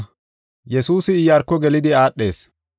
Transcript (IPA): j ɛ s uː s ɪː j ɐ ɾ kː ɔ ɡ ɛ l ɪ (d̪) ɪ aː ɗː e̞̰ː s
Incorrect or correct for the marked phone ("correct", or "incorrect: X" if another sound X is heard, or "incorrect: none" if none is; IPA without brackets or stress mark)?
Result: correct